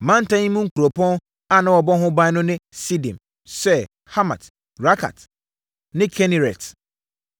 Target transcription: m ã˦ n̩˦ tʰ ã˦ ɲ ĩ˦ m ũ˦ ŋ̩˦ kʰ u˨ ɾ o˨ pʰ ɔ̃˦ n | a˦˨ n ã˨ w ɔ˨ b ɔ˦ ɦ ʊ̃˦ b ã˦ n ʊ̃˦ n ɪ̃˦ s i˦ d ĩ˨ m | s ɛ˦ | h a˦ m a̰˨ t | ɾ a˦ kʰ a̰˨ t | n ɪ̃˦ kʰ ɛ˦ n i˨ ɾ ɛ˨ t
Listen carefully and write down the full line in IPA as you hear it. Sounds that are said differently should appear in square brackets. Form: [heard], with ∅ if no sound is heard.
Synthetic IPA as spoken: m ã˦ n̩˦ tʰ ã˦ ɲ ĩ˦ m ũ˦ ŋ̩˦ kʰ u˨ ɾ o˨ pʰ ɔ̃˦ n | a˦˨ n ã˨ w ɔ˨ b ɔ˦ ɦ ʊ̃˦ b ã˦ n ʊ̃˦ n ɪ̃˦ s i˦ d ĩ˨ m | s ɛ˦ | h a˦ m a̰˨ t | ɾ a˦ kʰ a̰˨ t | n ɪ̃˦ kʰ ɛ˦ n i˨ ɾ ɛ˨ t